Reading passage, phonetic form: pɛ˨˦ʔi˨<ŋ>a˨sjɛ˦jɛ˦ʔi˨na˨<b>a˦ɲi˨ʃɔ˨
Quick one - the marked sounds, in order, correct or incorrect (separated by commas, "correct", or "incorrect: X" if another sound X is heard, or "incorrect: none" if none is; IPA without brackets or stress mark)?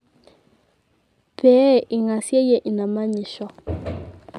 correct, incorrect: m